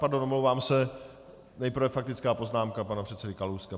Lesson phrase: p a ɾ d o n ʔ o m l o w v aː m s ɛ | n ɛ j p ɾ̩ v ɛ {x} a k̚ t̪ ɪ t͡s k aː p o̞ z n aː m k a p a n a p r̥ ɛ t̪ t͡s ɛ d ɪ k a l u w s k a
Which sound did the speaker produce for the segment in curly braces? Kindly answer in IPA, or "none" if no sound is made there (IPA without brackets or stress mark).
f